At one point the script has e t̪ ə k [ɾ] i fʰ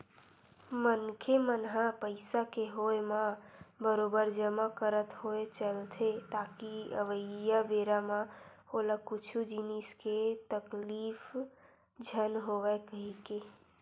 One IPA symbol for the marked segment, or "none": l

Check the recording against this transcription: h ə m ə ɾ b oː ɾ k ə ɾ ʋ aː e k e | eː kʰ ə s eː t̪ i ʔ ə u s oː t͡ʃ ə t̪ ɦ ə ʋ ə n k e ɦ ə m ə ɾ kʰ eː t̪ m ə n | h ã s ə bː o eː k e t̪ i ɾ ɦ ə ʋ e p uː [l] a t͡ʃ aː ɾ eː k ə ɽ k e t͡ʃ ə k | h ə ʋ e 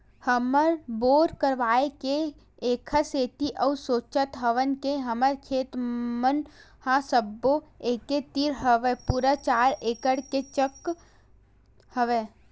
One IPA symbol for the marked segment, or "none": ɾ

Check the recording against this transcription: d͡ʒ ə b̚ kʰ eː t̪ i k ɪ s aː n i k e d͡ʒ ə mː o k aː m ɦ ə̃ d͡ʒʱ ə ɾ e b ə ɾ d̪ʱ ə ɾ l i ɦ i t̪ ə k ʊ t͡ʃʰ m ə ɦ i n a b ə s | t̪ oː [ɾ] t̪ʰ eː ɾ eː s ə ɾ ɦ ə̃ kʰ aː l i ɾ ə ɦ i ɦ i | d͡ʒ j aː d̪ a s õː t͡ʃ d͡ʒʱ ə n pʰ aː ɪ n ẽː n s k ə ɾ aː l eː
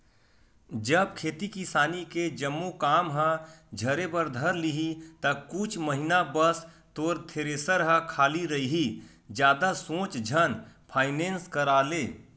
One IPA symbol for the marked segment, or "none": ɾ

